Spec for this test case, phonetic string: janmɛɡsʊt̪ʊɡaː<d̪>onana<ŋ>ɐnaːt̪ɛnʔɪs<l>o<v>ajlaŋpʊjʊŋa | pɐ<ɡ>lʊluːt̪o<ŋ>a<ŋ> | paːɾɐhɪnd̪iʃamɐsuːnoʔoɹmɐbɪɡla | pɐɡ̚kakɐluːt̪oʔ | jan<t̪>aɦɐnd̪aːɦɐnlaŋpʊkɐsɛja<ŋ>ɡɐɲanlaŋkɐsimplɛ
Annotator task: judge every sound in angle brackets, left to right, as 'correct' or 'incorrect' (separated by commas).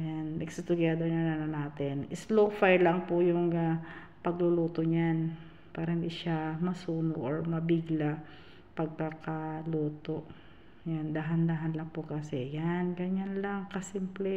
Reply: correct, incorrect, correct, incorrect, correct, incorrect, incorrect, incorrect, incorrect